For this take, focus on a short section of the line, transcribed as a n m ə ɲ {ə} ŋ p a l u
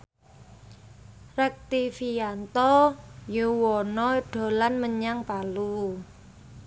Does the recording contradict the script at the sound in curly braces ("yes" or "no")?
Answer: yes